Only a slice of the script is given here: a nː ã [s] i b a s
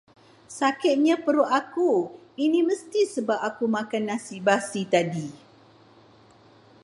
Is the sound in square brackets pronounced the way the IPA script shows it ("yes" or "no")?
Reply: yes